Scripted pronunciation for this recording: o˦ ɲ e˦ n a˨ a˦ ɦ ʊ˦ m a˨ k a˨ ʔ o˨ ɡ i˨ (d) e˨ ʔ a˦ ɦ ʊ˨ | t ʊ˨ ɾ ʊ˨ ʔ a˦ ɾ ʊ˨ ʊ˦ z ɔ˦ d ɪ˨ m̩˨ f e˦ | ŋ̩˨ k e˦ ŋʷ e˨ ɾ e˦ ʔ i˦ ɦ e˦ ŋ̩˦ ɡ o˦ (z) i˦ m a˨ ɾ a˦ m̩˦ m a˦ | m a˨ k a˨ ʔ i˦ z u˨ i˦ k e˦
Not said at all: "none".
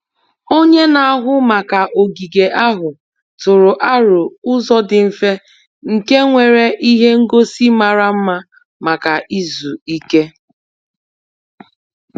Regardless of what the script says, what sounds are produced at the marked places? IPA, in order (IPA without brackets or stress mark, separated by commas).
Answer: ɡ, s